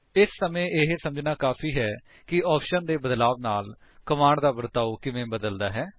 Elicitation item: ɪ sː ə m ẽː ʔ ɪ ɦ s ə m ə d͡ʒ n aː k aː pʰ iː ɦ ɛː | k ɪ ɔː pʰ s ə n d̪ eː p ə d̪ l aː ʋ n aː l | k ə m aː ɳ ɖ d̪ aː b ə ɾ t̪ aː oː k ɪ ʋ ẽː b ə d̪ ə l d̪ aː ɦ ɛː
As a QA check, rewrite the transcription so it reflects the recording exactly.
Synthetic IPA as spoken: ɪ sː ə m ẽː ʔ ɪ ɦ s ə m ə d͡ʒ n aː k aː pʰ iː ɦ ɛː | k ɪ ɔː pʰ ʃ ə n d̪ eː b ə d̪ l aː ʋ n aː l | k ə m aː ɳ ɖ d̪ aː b ə ɾ t̪ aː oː k ɪ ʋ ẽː b ə d̪ ə l d̪ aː ɦ ɛː